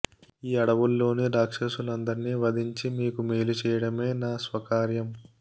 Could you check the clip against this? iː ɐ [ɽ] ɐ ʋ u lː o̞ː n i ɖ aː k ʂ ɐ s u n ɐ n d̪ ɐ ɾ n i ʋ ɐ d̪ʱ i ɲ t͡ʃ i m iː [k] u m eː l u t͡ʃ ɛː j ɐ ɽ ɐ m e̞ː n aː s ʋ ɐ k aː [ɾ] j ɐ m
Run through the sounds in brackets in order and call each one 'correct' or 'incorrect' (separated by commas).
correct, correct, correct